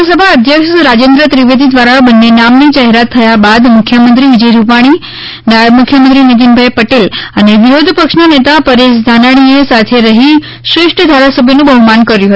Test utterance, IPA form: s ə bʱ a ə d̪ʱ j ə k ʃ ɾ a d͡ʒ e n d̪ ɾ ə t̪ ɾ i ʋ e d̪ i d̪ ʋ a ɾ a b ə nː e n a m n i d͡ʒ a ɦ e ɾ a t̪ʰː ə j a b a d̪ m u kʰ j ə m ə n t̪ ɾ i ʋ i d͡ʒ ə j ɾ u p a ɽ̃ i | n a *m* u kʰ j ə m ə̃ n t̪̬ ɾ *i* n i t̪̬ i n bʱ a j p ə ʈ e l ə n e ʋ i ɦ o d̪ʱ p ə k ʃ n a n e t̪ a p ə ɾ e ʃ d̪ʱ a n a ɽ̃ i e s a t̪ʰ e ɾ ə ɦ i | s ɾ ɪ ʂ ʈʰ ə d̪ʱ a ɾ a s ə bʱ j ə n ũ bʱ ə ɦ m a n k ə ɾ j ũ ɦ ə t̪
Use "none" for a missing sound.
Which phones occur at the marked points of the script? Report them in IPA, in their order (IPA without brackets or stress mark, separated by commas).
m, i